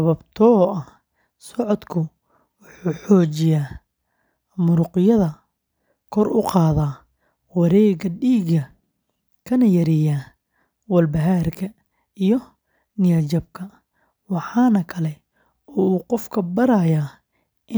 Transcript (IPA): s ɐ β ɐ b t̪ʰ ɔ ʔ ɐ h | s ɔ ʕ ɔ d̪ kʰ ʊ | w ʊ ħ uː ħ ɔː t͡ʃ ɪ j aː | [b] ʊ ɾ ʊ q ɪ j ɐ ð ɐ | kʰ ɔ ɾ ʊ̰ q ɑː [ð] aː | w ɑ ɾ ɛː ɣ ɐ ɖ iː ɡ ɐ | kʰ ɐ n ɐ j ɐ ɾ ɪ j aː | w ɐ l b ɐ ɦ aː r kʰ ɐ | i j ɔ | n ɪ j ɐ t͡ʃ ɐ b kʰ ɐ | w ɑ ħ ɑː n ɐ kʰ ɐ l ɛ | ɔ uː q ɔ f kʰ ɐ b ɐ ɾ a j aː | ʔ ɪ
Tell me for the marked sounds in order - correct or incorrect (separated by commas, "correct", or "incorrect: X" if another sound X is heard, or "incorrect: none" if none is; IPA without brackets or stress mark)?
incorrect: m, correct